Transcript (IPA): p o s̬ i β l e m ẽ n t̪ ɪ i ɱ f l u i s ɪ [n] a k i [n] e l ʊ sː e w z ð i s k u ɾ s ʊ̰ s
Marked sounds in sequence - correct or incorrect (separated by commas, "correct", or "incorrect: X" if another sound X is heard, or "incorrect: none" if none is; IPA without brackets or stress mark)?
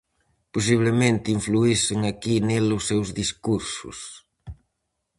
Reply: incorrect: ŋ, correct